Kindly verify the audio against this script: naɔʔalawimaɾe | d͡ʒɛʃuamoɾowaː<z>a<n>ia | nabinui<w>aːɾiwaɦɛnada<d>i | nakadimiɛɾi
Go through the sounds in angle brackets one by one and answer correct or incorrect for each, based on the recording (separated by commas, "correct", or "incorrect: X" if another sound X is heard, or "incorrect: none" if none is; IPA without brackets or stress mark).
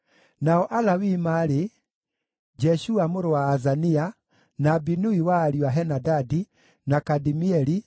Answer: correct, correct, correct, correct